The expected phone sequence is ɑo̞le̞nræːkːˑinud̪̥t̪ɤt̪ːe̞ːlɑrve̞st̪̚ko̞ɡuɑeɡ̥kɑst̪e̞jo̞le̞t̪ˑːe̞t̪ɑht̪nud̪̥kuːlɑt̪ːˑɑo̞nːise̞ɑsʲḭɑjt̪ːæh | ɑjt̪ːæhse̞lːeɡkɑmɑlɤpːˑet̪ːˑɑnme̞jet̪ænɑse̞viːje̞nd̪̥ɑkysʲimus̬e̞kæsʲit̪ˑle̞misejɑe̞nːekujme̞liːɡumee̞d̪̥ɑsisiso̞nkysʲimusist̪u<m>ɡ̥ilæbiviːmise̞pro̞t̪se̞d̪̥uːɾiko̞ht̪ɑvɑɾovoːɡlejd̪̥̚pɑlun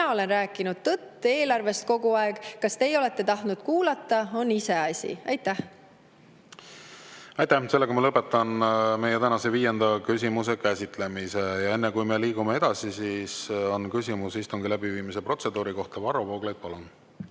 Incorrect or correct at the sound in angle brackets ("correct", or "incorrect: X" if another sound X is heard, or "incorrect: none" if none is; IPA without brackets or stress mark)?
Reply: incorrect: ŋ